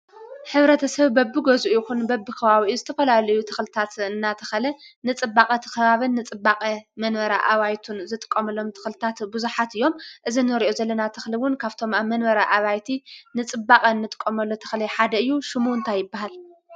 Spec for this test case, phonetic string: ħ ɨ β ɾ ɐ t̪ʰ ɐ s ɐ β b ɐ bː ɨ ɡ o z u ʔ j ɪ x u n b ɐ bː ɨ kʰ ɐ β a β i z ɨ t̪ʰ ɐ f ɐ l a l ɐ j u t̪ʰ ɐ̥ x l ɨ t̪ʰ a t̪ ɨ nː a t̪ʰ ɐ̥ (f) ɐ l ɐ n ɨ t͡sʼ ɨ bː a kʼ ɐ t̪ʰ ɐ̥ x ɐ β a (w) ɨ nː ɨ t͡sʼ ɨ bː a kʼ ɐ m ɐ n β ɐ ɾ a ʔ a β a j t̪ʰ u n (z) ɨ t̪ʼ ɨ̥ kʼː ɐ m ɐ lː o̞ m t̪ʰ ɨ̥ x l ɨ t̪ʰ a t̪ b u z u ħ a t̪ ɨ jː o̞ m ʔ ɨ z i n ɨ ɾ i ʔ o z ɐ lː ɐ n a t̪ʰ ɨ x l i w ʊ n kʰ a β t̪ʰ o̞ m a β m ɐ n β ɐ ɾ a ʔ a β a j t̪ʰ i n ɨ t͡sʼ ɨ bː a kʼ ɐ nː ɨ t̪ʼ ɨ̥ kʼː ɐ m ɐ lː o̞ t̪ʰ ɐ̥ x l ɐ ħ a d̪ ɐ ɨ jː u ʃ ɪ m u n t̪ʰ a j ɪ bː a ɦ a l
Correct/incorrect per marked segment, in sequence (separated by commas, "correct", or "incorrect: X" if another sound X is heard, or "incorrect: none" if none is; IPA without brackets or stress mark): incorrect: x, incorrect: β, correct